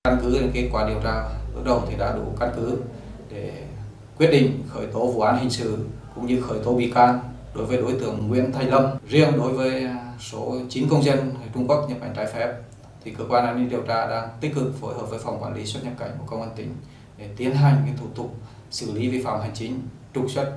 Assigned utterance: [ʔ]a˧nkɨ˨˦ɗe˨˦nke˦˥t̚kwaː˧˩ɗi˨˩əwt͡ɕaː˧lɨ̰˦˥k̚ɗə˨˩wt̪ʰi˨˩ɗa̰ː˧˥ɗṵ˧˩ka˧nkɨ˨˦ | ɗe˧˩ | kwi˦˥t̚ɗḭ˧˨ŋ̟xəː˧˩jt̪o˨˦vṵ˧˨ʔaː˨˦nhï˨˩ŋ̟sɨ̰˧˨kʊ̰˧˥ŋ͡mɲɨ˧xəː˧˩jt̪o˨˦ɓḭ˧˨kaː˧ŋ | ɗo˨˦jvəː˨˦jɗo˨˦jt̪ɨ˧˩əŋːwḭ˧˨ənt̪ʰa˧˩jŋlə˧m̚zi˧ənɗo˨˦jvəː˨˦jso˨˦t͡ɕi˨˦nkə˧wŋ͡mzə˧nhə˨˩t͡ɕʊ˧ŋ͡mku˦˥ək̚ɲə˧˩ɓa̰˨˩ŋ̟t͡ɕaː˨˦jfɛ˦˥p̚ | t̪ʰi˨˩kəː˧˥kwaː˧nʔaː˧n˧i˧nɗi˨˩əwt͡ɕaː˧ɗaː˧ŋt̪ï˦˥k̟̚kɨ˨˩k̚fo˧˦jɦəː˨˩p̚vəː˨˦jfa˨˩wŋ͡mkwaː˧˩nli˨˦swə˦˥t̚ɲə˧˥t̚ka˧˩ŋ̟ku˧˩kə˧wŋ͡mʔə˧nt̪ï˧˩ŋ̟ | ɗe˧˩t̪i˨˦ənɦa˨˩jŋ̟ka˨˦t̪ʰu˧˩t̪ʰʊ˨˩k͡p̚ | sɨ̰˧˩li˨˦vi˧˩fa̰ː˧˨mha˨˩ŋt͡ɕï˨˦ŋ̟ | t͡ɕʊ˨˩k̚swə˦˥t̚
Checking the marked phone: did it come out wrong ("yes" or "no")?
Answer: yes